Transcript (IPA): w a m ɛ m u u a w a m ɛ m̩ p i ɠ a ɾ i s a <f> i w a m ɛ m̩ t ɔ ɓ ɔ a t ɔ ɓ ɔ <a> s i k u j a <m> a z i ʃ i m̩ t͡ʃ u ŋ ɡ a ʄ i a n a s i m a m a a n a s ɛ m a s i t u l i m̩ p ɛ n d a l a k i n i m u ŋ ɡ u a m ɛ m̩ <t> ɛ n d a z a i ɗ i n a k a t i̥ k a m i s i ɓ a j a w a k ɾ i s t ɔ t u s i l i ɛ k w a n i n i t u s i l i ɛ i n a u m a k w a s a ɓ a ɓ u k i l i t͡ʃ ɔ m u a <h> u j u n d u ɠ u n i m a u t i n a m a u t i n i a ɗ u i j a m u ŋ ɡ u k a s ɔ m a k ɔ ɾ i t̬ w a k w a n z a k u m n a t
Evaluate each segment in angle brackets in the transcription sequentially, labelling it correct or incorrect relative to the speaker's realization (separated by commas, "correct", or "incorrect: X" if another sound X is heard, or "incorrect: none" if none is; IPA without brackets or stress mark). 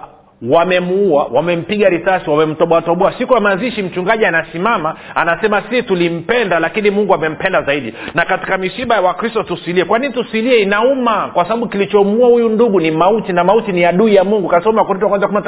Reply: incorrect: s, correct, correct, incorrect: p, correct